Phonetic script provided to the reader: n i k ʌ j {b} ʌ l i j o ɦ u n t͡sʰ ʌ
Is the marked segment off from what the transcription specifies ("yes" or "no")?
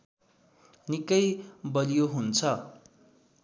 no